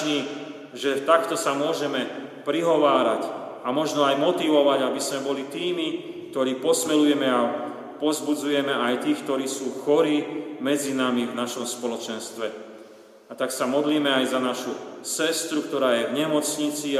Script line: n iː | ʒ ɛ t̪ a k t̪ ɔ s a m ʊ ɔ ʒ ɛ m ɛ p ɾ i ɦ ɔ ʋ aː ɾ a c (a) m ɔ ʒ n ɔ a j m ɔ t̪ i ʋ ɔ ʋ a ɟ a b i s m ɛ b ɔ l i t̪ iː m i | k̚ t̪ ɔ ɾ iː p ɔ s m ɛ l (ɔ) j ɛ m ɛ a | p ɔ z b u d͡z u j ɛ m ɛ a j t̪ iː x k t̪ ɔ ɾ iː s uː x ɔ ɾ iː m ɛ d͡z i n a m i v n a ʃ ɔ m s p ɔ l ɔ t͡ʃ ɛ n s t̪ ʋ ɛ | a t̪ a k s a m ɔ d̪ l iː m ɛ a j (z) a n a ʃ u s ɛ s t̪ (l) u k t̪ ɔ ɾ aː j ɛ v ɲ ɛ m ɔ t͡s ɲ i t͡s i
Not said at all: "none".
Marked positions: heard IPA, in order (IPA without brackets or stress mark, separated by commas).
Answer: a, u, z, ɾ